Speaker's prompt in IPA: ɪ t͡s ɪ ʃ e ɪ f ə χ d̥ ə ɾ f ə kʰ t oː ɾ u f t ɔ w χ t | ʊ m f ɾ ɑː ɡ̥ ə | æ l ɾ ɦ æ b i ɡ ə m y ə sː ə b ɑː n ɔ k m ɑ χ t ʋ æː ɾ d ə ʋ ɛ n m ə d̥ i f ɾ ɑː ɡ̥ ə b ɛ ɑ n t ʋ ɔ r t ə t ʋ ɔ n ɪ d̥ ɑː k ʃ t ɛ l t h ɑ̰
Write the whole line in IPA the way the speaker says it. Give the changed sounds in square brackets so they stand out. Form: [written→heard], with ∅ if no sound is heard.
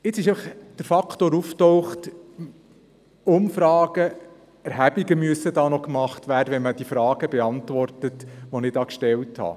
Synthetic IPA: ɪ t͡s ɪ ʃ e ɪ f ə χ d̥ ə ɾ f [ə→ɑ] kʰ t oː ɾ u f t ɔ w χ t | ʊ m f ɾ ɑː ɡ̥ ə | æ [l→∅] ɾ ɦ æ b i ɡ ə m y ə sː ə [b→d] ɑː n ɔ k m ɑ χ t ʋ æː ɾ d ə ʋ ɛ n m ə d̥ i f ɾ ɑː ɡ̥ ə b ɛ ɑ n t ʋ ɔ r t ə t ʋ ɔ n ɪ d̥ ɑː k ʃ t ɛ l t h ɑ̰

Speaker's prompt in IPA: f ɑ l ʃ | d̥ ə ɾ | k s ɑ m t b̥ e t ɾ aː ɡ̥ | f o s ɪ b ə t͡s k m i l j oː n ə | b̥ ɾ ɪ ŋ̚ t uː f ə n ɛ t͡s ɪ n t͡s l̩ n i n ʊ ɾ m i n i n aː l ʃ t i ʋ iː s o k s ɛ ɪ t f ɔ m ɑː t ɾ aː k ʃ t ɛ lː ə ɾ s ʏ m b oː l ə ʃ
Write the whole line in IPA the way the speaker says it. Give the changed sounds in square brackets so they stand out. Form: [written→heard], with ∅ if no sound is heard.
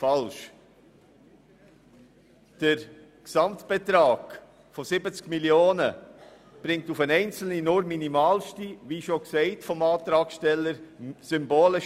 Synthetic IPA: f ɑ l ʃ | d̥ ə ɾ | k s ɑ m t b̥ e t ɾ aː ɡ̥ | f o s ɪ b ə t͡s k m i l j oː n ə | b̥ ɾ ɪ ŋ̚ t [uː→u] f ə n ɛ [t͡s→∅] ɪ n t͡s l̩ n i n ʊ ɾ m i n i [n→m] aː l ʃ t i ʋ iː [s→ʃ] o k s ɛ ɪ t f ɔ m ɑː t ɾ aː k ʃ t ɛ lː ə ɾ s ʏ m b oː l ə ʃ

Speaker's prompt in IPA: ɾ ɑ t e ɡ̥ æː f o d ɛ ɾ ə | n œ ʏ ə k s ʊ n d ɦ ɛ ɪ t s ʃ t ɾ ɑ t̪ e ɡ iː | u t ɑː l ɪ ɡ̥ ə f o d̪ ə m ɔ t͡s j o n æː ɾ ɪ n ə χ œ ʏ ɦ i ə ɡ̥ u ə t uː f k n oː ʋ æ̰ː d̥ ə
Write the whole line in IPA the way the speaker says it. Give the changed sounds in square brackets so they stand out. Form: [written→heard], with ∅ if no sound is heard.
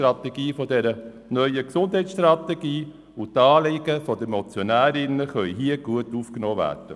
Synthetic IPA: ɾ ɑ t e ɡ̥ [æː→iː] f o d ɛ ɾ ə | n œ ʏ ə k s ʊ n d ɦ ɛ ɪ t s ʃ t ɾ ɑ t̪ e ɡ iː | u t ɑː l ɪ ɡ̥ ə f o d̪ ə m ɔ t͡s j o n æː ɾ ɪ n ə χ œ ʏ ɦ i ə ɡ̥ u ə t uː f k n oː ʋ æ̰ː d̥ ə

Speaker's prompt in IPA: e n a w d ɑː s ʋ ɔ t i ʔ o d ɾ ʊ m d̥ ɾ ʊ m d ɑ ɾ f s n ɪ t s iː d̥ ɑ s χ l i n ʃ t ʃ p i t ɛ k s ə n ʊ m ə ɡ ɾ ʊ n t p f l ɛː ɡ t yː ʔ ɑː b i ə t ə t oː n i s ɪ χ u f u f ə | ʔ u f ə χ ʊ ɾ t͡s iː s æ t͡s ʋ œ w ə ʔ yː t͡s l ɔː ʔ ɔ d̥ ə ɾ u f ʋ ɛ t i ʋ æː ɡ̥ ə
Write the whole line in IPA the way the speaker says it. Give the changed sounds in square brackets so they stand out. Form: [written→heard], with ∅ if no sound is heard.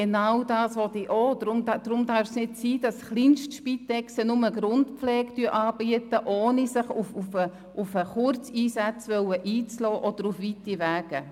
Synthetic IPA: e n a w d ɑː s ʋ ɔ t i ʔ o d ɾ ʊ m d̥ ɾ ʊ m d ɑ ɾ f s n ɪ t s iː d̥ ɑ s χ l i n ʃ t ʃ p i t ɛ k s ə n ʊ m ə ɡ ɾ ʊ n t p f l ɛː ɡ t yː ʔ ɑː b i ə t ə [t→ʔ] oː n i s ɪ χ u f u f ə | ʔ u f ə χ ʊ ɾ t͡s iː s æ t͡s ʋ œ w ə ʔ [yː→iː] t͡s l ɔː ʔ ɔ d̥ ə ɾ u f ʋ [ɛ→i] t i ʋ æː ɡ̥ ə

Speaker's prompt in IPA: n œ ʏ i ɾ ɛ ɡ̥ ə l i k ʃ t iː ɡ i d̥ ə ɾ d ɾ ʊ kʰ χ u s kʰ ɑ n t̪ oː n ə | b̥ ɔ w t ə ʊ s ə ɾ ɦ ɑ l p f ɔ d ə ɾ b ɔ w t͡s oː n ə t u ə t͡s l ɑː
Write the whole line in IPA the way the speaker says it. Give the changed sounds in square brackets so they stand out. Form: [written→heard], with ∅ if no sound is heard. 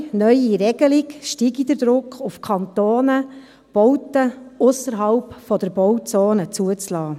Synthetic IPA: n œ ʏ i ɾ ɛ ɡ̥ ə l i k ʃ t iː ɡ i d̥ ə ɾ d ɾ ʊ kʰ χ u [s→f] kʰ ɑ n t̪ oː n ə | b̥ ɔ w t ə ʊ s ə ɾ ɦ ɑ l p f ɔ d ə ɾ b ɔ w t͡s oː n ə [t→t͡s] u ə t͡s l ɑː

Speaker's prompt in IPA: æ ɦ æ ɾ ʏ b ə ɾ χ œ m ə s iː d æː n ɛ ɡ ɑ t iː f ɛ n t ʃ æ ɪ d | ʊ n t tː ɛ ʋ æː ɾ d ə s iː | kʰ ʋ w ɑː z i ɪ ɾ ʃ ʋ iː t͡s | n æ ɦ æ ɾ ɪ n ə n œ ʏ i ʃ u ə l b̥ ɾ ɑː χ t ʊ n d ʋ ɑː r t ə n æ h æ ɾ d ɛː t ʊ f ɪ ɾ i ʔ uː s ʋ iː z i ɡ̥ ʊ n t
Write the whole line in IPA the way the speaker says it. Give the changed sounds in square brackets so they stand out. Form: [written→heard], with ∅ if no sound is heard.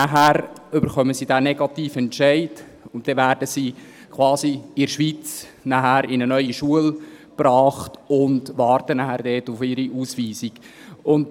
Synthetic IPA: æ ɦ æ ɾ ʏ b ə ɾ χ œ m ə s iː d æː n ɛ ɡ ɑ t iː f ɛ n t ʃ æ ɪ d | ʊ n t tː ɛ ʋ æː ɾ d ə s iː | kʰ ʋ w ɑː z i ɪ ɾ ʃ ʋ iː t͡s | n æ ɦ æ ɾ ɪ n ə n œ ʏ i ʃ u ə l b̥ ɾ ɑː χ t ʊ n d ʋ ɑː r t ə n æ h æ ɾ d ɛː t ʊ f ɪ ɾ i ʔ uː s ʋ iː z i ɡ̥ ʊ n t

